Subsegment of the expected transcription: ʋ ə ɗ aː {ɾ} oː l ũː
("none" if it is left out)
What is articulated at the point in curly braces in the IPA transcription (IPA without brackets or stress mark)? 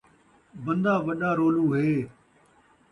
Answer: ɾ